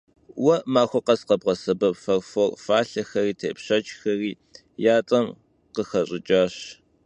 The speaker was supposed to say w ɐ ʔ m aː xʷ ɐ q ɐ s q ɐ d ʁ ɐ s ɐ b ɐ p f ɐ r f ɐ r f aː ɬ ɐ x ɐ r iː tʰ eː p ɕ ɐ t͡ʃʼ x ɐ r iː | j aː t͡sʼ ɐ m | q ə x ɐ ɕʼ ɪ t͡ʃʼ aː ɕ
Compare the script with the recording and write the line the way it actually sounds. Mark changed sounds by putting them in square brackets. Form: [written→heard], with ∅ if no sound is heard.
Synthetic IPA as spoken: w ɐ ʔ m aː xʷ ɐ q ɐ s q ɐ [d→b] ʁ ɐ s ɐ b ɐ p f ɐ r f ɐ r f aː ɬ ɐ x ɐ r iː tʰ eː p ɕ ɐ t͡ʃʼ x ɐ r iː | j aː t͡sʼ ɐ m | q ə x ɐ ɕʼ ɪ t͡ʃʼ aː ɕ

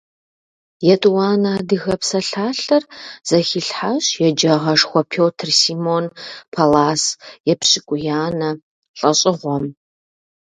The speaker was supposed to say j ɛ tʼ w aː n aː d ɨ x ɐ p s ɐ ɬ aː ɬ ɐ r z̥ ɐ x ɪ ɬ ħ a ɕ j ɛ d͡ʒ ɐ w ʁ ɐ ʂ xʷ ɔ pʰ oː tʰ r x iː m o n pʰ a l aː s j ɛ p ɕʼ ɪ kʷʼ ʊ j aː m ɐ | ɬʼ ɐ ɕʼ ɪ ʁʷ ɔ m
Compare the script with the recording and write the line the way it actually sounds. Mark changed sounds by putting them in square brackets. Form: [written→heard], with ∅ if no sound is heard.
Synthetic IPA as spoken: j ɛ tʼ w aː n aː d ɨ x ɐ p s ɐ ɬ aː ɬ ɐ r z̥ ɐ x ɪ ɬ ħ a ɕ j ɛ d͡ʒ ɐ [w→∅] ʁ ɐ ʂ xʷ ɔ pʰ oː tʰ r [x→s] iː m o n pʰ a l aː s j ɛ p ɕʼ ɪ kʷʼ ʊ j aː [m→n] ɐ | ɬʼ ɐ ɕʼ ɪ ʁʷ ɔ m

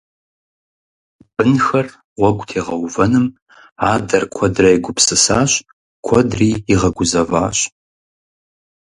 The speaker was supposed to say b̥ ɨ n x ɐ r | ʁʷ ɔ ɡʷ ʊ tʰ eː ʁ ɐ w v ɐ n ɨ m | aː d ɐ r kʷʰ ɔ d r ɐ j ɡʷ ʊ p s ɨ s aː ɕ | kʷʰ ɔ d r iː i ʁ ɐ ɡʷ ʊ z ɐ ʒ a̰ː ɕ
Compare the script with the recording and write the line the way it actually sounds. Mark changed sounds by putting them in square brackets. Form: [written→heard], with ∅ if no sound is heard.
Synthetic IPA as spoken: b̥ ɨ n x ɐ r | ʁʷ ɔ ɡʷ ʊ tʰ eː ʁ ɐ w v ɐ n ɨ m | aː d ɐ r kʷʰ ɔ d r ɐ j ɡʷ ʊ p s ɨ s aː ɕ | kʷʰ ɔ d r iː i ʁ ɐ ɡʷ ʊ z ɐ [ʒ→v] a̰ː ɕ

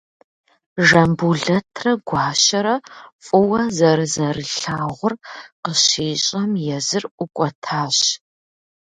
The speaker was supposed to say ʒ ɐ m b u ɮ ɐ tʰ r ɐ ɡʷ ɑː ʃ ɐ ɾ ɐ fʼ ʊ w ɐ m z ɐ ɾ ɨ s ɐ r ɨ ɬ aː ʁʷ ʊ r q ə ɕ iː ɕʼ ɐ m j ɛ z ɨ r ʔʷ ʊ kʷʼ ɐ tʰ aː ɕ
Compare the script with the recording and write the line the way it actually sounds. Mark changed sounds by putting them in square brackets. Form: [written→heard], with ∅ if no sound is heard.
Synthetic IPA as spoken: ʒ ɐ m b u ɮ ɐ tʰ r ɐ ɡʷ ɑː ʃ ɐ ɾ ɐ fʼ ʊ w ɐ [m→∅] z ɐ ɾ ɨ [s→z] ɐ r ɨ ɬ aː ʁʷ ʊ r q ə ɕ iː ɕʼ ɐ m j ɛ z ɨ r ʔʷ ʊ kʷʼ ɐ tʰ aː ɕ

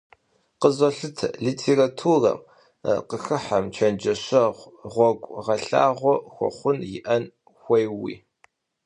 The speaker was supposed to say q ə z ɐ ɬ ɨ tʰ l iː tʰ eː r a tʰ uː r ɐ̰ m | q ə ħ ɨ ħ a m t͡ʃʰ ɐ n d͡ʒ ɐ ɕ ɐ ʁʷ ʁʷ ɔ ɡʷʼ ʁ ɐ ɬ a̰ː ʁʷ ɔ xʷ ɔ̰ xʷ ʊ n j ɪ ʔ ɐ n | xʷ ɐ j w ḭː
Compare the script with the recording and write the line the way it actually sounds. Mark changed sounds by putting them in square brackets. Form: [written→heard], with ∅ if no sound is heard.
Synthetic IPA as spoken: q ə z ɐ ɬ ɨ tʰ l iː tʰ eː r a tʰ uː r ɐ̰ m | q ə [ħ→x] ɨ ħ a m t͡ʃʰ ɐ n d͡ʒ ɐ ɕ ɐ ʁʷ ʁʷ ɔ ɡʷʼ ʁ ɐ ɬ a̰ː ʁʷ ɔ xʷ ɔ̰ [xʷ→χʷ] ʊ n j ɪ ʔ ɐ n | xʷ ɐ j w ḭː

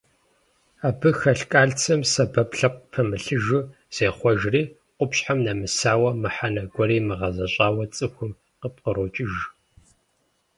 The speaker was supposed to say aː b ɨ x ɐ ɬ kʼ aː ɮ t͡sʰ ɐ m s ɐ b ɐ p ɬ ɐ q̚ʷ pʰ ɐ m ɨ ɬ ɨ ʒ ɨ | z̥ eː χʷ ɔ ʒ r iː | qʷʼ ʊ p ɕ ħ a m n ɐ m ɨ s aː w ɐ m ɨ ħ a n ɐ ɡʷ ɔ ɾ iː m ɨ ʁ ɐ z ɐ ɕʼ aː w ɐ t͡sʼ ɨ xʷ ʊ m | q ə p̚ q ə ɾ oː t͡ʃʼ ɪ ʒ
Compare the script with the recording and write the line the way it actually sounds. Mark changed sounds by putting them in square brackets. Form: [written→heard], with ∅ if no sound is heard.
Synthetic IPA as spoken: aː b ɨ x ɐ ɬ kʼ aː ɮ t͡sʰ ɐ m s ɐ b ɐ p ɬ ɐ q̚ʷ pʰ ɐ m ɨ ɬ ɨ ʒ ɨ | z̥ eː χʷ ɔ ʒ r iː | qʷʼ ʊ p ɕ ħ a m n ɐ m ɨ s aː w ɐ m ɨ ħ a n ɐ ɡʷ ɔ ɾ iː m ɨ ʁ ɐ z ɐ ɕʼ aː w ɐ t͡sʼ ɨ xʷ ʊ m | q ə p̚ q ə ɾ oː t͡ʃʼ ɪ ʒ

